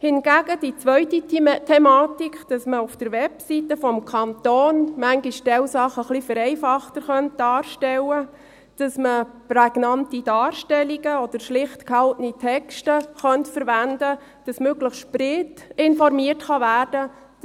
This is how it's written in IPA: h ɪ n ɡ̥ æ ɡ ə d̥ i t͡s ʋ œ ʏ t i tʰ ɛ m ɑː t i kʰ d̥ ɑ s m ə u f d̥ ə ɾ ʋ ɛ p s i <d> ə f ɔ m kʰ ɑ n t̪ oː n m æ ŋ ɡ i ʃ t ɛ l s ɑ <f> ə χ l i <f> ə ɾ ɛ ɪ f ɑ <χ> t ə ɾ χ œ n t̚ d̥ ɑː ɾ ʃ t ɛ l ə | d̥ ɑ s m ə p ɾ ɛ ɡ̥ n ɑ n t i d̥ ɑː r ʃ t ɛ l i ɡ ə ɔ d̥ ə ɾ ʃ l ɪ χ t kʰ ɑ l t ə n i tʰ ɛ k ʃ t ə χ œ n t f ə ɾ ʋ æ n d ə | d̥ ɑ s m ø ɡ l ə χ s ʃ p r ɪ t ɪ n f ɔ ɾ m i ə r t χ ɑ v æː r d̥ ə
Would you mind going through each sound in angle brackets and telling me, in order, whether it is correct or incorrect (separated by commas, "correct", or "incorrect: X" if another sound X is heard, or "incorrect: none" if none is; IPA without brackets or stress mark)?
incorrect: t, incorrect: χ, correct, correct